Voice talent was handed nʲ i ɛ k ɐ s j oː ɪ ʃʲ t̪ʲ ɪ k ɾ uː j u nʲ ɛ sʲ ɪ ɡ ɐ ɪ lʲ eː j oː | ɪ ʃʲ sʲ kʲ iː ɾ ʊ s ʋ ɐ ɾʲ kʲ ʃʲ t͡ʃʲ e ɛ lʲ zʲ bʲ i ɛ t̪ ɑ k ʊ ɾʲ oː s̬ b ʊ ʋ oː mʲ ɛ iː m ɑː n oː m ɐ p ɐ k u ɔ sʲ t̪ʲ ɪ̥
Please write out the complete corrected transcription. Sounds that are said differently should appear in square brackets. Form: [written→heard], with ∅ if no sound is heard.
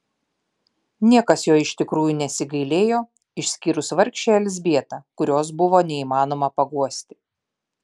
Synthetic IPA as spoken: nʲ i ɛ k ɐ s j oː ɪ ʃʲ t̪ʲ ɪ k ɾ uː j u nʲ ɛ sʲ ɪ ɡ ɐ ɪ lʲ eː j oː | ɪ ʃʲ sʲ kʲ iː ɾ ʊ s ʋ ɐ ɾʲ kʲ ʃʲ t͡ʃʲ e ɛ lʲ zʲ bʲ i ɛ t̪ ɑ k ʊ ɾʲ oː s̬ b ʊ ʋ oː [mʲ→nʲ] ɛ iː m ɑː n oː m ɐ p ɐ [k→ɡ] u ɔ sʲ t̪ʲ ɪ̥